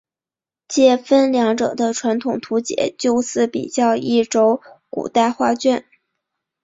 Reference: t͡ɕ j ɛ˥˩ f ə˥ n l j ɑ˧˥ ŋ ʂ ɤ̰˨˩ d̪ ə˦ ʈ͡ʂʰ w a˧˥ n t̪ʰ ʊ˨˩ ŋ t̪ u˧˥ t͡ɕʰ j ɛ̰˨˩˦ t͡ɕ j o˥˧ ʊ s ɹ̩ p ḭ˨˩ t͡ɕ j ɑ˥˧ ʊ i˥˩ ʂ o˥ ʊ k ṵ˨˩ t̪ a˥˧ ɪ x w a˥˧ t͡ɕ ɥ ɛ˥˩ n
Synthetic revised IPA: t͡ɕ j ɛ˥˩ f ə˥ n l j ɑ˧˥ ŋ ʈ͡ʂ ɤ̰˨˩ d̪ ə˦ ʈ͡ʂʰ w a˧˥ n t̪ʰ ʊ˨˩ ŋ t̪ʰ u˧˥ t͡ɕ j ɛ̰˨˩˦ t͡ɕ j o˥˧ ʊ s ɹ̩ p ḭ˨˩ t͡ɕ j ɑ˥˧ ʊ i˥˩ ʈ͡ʂ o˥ ʊ k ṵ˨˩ t̪ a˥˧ ɪ x w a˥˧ t͡ɕ ɥ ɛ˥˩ n